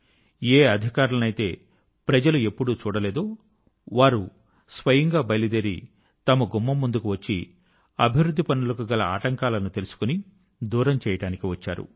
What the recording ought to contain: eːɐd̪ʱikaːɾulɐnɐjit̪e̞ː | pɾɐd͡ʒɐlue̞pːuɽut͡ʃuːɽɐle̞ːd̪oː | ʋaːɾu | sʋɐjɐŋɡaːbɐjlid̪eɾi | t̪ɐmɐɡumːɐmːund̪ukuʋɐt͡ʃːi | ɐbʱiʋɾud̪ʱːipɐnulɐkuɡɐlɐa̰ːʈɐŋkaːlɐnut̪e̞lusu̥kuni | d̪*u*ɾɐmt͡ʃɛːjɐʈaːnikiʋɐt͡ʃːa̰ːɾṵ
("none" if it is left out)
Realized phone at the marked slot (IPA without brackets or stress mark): uː